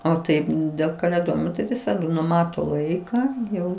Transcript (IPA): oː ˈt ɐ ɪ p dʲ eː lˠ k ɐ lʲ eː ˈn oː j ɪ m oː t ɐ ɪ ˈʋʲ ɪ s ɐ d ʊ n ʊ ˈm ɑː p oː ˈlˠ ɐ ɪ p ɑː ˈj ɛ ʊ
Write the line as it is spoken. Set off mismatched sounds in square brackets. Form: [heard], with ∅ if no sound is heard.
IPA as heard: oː ˈt ɐ ɪ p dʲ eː lˠ k ɐ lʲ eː [ˈd] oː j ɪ m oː t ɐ ɪ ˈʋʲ ɪ s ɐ d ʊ n ʊ ˈm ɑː [t] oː ˈlˠ ɐ ɪ [k] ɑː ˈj ɛ ʊ